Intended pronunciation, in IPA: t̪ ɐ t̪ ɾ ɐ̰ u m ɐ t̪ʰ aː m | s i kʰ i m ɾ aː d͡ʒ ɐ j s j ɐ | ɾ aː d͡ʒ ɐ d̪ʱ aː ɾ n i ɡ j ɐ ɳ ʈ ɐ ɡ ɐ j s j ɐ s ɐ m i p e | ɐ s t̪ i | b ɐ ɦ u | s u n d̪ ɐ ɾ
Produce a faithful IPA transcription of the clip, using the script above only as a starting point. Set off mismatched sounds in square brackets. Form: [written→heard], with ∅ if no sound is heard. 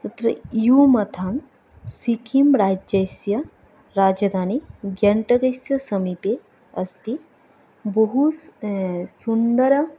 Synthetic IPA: t̪ ɐ t̪ ɾ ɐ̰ u m ɐ t̪ʰ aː m | s i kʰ i m ɾ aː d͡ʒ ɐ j s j ɐ | ɾ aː d͡ʒ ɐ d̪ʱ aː [ɾ→∅] n i ɡ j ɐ ɳ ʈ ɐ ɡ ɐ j s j ɐ s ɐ m i p e | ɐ s t̪ i | b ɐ ɦ u | s u n d̪ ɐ ɾ